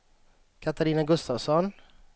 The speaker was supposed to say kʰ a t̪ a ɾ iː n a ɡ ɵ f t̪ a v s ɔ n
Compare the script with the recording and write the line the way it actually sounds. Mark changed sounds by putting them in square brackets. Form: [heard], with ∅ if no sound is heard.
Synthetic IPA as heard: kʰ a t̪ a ɾ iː n a ɡ ɵ [s] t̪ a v s ɔ n